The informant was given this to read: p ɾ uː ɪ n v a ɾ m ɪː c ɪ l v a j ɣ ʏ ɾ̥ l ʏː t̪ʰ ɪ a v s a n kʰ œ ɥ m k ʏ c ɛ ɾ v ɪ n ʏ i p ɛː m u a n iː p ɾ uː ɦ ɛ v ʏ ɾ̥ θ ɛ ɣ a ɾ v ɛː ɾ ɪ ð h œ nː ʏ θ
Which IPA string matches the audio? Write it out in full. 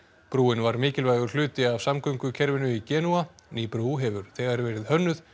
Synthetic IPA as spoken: p ɾ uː ɪ n v a ɾ m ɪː c ɪ l v a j ɣ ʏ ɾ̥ l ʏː t̪ ɪ a v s a m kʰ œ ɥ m k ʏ cʰ ɛ ɾ v ɪ n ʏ i c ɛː n u a n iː p ɾ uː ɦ ɛ v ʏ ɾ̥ θ ɛ ɣ a ɾ v ɛː ɾ ɪ ð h œ nː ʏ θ